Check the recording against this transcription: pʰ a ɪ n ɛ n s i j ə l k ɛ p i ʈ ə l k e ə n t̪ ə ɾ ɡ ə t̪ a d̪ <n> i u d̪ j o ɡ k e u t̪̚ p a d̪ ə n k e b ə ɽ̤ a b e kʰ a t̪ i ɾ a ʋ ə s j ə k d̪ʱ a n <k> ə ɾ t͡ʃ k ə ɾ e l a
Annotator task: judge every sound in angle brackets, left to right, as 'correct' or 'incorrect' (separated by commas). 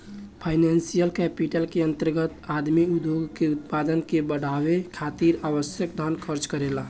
incorrect, incorrect